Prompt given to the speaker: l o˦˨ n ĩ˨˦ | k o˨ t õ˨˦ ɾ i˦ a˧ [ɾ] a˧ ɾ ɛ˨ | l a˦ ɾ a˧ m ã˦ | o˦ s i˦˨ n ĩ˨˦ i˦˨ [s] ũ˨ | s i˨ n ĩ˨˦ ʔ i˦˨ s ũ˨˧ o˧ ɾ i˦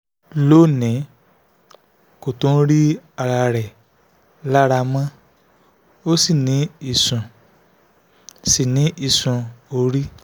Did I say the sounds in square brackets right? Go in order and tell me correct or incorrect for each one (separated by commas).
correct, correct